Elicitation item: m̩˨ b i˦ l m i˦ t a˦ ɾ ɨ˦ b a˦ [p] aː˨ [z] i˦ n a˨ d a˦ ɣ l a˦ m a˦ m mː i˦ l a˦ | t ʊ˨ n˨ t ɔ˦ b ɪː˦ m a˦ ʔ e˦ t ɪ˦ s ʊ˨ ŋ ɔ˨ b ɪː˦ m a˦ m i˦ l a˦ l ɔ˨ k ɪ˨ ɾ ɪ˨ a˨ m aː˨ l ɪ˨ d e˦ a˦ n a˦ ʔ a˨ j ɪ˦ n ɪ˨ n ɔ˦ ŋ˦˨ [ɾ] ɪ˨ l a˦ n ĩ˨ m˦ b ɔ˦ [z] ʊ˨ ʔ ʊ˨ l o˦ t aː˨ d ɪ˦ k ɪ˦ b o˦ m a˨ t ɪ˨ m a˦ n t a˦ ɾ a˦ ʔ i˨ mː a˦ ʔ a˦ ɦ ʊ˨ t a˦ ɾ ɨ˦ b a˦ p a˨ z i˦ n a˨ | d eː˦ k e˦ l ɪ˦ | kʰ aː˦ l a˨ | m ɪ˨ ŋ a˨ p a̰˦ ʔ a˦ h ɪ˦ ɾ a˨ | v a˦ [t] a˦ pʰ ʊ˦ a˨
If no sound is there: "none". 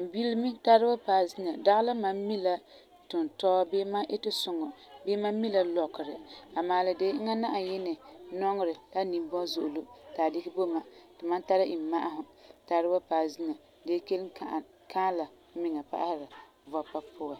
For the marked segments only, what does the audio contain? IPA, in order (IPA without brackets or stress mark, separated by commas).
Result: p, z, ɾ, z, p